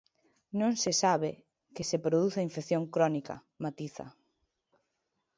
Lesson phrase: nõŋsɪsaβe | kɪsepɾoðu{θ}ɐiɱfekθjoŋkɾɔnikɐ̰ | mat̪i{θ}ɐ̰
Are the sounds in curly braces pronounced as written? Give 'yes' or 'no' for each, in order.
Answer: yes, yes

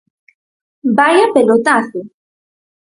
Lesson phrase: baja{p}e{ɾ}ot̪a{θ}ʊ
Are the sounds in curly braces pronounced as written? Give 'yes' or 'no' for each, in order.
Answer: yes, no, yes

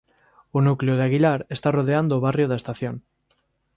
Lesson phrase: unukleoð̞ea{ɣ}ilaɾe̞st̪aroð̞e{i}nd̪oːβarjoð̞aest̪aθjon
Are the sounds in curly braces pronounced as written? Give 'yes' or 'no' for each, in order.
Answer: yes, no

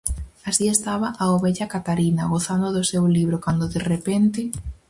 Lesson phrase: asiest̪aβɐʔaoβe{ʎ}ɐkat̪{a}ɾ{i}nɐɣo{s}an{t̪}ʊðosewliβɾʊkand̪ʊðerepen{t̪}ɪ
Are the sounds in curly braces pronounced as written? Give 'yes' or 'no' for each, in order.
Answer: yes, yes, yes, no, no, yes

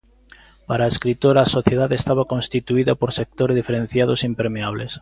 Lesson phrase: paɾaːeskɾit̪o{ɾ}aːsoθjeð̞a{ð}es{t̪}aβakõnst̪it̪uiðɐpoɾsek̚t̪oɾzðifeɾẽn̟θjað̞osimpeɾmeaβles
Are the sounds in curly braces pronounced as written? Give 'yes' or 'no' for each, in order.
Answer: yes, yes, yes

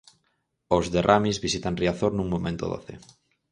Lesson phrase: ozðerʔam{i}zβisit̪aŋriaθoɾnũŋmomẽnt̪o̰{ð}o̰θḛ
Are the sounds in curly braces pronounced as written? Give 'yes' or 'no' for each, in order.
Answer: yes, yes

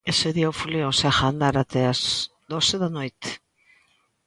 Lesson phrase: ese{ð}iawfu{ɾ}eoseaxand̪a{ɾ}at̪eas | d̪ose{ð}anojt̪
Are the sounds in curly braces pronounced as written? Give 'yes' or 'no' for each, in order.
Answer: yes, no, yes, yes

